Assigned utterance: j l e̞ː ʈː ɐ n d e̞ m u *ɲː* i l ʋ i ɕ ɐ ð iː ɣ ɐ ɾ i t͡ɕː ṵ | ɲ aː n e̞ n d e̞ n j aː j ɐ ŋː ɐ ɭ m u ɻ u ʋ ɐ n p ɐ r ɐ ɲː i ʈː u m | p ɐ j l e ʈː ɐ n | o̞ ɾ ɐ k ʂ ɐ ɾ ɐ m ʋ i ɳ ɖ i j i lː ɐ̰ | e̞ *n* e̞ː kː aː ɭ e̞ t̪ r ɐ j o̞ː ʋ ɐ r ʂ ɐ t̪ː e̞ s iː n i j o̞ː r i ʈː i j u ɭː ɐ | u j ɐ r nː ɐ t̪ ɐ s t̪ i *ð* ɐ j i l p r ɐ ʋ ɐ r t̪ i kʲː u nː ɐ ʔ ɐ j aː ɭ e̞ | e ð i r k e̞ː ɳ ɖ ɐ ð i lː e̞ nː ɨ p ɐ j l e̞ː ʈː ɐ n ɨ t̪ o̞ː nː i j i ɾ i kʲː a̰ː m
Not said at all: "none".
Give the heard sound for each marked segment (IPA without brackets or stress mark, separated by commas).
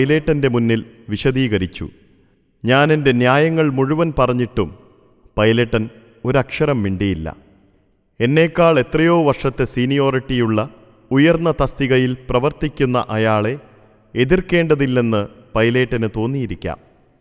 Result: nː, nː, ɣ